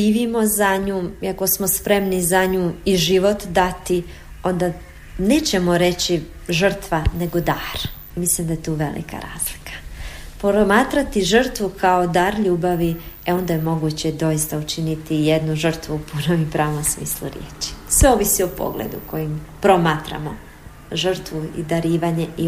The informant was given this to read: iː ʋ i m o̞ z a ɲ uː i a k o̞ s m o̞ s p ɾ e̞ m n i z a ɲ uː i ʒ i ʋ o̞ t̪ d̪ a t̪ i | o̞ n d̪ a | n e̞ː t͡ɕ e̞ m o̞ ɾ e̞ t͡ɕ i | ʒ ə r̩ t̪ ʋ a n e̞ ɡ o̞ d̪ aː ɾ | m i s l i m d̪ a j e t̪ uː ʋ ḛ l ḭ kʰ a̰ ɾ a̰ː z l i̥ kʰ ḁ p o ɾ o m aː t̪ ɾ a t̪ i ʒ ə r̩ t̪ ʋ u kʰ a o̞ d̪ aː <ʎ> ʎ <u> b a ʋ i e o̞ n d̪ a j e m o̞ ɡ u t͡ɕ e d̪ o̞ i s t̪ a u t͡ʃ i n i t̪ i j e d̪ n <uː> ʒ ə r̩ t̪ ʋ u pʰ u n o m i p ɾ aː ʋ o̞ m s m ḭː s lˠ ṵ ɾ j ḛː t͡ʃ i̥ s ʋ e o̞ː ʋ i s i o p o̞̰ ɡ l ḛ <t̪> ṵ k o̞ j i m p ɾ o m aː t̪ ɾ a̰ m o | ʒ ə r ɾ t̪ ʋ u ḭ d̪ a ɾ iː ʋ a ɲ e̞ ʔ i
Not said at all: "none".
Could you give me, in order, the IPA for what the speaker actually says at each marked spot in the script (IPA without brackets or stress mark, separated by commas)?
ɾ, uː, u, d̪